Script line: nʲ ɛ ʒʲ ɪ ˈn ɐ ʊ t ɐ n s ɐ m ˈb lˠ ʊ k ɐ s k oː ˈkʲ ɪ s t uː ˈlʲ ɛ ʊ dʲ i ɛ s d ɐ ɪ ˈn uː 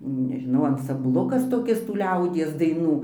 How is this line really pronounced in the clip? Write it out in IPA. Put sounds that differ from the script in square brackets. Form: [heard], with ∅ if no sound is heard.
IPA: nʲ ɛ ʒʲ ɪ ˈn ɐ ʊ [∅] ɐ n s ɐ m ˈb lˠ ʊ k ɐ s [t] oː ˈkʲ ɪ s t uː ˈlʲ ɛ ʊ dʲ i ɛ s d ɐ ɪ ˈn uː